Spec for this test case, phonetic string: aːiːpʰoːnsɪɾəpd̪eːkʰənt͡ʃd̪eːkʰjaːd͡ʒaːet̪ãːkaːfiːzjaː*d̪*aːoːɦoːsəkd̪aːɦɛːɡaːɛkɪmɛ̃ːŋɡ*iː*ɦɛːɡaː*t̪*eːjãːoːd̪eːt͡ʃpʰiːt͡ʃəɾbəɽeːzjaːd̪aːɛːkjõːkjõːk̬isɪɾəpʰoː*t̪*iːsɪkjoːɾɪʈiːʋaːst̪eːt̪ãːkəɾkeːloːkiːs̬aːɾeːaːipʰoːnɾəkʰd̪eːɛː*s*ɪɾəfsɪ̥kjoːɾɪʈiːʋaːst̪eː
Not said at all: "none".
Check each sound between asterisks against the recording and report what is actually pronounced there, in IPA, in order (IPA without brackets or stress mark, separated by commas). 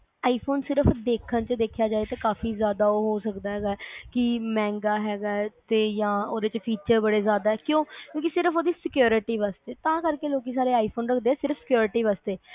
d̪, aː, t̪, d̪, s